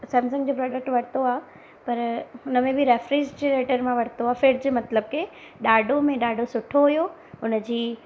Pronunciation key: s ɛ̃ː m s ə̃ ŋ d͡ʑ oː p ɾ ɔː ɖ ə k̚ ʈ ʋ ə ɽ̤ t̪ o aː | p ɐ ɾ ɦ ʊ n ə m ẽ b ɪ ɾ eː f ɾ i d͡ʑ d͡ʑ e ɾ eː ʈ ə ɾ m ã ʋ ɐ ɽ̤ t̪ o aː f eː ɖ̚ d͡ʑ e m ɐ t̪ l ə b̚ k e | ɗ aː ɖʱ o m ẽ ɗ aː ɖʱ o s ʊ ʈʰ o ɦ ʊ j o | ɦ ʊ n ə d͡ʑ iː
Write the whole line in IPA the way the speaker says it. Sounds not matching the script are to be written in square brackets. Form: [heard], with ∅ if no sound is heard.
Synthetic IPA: s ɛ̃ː m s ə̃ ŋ d͡ʑ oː p ɾ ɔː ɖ ə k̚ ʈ ʋ [ɐ] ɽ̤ t̪ o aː | p ɐ ɾ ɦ ʊ n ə m ẽ b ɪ ɾ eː f ɾ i d͡ʑ d͡ʑ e ɾ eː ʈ ə ɾ m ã ʋ ɐ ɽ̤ t̪ o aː f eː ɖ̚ d͡ʑ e m ɐ t̪ l ə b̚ k e | ɗ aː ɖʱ o m ẽ ɗ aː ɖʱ o s ʊ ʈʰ o ɦ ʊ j o | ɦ ʊ n ə d͡ʑ iː

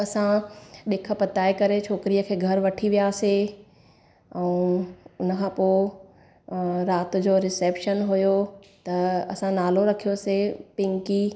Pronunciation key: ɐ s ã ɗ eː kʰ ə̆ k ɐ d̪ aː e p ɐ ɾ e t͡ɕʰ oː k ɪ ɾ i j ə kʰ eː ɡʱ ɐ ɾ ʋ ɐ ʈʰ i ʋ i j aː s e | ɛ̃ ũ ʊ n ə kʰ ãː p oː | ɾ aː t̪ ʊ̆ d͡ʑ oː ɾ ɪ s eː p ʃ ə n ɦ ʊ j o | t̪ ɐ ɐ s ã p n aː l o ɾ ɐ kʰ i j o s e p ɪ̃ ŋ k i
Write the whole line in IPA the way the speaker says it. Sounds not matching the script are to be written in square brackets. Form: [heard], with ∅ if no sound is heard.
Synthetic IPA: ɐ s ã ɗ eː kʰ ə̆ [p] ɐ [t̪] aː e [k] ɐ ɾ e t͡ɕʰ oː k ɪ ɾ i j ə kʰ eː ɡʱ ɐ ɾ ʋ ɐ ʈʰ i ʋ i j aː s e | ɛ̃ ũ ʊ n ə kʰ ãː p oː | ɾ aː t̪ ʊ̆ d͡ʑ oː ɾ ɪ s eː p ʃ ə n ɦ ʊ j o | t̪ ɐ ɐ s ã [∅] n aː l o ɾ ɐ kʰ i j o s e p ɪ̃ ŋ k i

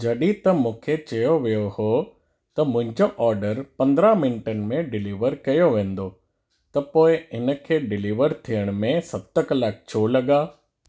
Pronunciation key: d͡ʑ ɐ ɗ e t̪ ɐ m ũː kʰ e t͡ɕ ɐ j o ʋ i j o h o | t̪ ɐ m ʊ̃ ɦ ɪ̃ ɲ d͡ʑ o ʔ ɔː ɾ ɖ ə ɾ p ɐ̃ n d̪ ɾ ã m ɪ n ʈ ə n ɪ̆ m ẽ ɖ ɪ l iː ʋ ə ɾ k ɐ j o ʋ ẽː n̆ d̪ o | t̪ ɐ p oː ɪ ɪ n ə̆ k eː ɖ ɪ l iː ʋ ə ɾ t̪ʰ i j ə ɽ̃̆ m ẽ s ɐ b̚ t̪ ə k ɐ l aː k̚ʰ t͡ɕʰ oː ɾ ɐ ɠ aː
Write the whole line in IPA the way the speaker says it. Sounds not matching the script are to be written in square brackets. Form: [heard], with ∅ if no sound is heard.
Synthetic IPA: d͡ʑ ɐ ɗ [i] t̪ ɐ m ũː kʰ e t͡ɕ ɐ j o ʋ i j o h o | t̪ ɐ m ʊ̃ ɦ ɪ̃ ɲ d͡ʑ o ʔ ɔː ɾ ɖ ə ɾ p ɐ̃ n d̪ ɾ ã m ɪ n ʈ ə n ɪ̆ m ẽ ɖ ɪ l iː ʋ ə ɾ k ɐ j o ʋ ẽː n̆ d̪ o | t̪ ɐ p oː ɪ ɪ n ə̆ [kʰ] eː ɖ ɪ l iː ʋ ə ɾ t̪ʰ i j ə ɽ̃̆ m ẽ s ɐ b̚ t̪ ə k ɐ l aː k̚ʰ t͡ɕʰ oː [l] ɐ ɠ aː

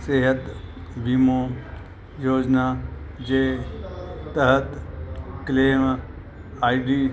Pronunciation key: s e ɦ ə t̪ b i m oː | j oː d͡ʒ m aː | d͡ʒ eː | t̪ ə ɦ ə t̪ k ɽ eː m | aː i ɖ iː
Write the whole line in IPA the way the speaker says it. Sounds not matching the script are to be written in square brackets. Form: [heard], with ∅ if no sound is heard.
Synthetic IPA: s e ɦ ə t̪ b i m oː | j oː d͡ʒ [n] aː | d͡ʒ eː | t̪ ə ɦ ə t̪ k [l] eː m | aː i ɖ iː

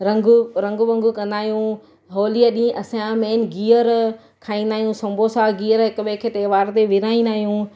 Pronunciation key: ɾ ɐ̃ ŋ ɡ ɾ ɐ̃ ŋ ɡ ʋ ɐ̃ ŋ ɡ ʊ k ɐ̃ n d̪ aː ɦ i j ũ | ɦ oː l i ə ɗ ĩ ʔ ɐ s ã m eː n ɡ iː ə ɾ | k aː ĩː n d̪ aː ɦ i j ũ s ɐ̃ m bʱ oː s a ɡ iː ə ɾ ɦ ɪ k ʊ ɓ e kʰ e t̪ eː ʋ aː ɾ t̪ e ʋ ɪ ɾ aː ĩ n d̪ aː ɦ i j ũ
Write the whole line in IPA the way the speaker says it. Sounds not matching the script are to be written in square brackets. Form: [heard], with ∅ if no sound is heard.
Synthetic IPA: ɾ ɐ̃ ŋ ɡ ɾ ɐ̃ ŋ ɡ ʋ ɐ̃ ŋ ɡ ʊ k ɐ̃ n d̪ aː ɦ i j ũ | ɦ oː l i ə ɗ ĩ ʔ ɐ s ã m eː n ɡ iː ə ɾ | [kʰ] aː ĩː n d̪ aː ɦ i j ũ s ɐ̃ m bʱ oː s a ɡ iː ə ɾ ɦ ɪ k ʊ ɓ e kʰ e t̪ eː ʋ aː ɾ t̪ e ʋ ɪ ɾ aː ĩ n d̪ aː ɦ i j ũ

